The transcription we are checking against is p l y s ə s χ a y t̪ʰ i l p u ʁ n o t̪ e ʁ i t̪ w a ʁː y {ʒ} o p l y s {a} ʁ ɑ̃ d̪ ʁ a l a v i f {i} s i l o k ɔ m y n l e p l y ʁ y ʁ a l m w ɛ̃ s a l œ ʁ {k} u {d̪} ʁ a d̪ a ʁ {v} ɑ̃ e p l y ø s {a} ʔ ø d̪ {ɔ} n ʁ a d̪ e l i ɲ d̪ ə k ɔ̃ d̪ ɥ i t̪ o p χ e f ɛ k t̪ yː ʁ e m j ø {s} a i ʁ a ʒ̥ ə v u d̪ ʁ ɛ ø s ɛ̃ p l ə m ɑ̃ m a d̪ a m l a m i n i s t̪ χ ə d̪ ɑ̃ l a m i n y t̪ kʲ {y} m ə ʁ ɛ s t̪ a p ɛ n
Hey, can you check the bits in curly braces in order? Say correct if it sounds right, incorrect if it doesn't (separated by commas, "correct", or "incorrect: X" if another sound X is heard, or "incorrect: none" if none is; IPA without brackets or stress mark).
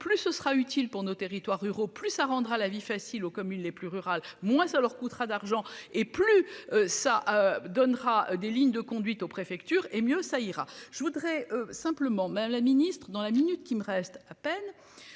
incorrect: ʁ, correct, incorrect: a, correct, incorrect: t̪, incorrect: ʒ, correct, correct, correct, incorrect: i